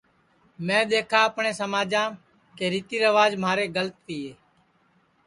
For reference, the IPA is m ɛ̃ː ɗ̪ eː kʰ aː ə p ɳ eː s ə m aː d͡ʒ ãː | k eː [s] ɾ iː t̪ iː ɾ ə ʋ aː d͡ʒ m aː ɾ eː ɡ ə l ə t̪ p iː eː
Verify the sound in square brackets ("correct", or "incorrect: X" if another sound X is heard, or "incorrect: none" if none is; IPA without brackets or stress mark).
incorrect: none